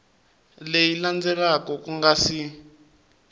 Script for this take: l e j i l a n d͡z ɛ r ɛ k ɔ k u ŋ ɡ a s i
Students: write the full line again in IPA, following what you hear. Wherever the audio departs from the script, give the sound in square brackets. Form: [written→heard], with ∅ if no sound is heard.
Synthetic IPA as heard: l e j i l a n d͡z ɛ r [ɛ→a] k ɔ k u ŋ ɡ a s i